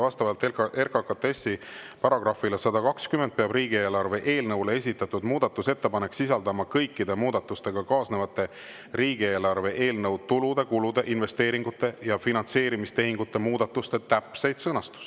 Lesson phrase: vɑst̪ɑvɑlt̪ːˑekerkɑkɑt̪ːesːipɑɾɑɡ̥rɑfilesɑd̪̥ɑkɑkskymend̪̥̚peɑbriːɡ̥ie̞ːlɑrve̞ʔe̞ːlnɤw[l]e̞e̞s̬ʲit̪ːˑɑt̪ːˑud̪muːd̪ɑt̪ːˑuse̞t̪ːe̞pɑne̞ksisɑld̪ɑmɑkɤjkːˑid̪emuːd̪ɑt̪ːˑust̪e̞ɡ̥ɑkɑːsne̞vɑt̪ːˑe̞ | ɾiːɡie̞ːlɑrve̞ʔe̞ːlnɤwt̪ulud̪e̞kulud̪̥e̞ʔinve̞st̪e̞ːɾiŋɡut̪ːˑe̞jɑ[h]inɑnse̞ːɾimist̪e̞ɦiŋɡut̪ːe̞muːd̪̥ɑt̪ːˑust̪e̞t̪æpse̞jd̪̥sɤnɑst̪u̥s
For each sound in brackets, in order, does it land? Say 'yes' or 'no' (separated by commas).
yes, no